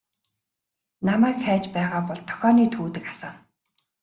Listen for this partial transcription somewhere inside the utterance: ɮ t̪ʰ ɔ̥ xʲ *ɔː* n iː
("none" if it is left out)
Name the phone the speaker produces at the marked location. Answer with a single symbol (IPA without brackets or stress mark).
ɔː